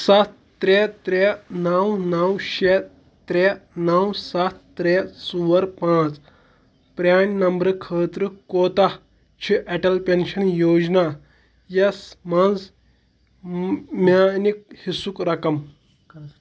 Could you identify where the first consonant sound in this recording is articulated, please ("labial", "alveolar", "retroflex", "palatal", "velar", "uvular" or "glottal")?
alveolar